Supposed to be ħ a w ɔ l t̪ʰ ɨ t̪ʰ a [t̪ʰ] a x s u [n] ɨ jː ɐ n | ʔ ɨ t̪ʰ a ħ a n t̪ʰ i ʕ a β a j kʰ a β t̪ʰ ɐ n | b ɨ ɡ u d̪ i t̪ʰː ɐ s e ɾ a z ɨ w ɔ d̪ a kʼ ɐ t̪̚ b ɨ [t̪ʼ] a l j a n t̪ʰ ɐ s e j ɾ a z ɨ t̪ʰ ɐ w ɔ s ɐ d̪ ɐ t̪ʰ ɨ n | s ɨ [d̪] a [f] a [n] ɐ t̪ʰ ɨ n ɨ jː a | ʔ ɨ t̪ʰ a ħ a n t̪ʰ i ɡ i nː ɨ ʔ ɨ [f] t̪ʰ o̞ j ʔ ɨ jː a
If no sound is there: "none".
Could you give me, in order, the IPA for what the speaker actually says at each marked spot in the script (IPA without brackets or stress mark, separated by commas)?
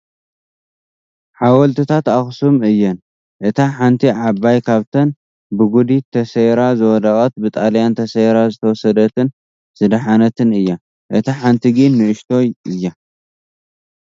t̪, m, t̪ʼ, d̪, ħ, n, ʃ